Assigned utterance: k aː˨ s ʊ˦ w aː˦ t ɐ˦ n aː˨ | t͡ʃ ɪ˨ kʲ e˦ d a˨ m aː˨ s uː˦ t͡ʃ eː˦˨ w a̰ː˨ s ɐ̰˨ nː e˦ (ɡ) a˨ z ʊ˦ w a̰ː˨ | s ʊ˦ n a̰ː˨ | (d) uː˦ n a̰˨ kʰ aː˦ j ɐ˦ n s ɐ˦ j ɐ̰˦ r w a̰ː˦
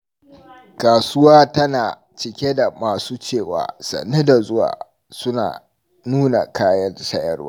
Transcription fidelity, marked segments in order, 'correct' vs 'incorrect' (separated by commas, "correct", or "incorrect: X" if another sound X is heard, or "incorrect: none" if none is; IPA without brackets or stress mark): incorrect: d, incorrect: n